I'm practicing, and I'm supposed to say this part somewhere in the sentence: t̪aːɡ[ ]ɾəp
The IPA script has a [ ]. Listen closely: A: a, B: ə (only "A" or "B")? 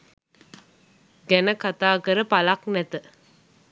B